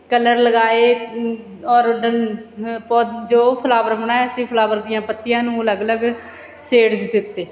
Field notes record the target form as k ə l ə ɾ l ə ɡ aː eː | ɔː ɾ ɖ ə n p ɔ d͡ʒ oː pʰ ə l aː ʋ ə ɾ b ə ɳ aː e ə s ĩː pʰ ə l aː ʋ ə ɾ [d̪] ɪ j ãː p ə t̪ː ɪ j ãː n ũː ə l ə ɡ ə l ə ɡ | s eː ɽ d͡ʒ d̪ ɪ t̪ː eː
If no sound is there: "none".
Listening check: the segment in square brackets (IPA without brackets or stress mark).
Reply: d̪